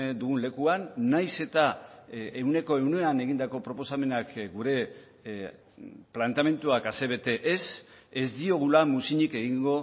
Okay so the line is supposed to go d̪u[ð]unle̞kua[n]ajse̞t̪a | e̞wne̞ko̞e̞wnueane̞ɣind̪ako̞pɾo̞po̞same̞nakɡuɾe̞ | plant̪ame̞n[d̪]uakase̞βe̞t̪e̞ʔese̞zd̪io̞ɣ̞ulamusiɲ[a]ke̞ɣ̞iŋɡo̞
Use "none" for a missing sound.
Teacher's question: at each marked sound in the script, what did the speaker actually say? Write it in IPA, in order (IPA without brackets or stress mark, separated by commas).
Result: ɣ, nː, t̪, i